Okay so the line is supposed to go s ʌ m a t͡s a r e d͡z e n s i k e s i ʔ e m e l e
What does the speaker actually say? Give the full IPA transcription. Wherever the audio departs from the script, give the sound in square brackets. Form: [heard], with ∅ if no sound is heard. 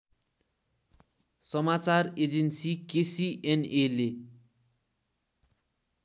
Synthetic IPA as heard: s ʌ m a t͡s a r e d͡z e n s i k e s i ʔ e [n] e l e